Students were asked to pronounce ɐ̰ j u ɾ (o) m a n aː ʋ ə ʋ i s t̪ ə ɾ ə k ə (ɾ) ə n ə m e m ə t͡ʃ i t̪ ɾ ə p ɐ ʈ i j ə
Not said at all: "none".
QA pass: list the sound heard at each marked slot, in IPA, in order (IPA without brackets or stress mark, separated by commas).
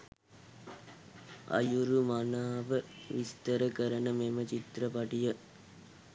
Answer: u, ɾ